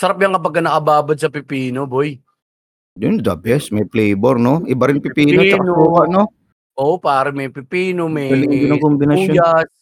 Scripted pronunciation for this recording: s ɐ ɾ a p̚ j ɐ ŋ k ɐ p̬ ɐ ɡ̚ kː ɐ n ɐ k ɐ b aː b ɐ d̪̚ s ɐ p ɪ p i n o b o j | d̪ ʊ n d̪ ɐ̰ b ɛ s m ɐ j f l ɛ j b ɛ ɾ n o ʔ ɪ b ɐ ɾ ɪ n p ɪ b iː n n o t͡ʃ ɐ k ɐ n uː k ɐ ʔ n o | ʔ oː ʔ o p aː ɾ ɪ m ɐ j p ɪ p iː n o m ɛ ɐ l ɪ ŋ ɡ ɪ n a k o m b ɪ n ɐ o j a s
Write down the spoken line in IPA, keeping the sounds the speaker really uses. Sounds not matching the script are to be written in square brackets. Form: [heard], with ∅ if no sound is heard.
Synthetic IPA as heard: s ɐ ɾ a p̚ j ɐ ŋ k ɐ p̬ ɐ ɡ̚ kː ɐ n ɐ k ɐ b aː b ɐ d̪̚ s ɐ p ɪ p [iː] n o b o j | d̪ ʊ n d̪ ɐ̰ b ɛ s m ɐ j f l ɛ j b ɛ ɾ n o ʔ ɪ b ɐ ɾ ɪ n p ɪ [p] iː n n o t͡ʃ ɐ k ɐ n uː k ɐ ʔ n o | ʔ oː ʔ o p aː ɾ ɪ m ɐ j p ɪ p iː n o m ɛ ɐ l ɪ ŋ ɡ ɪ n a k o m b ɪ n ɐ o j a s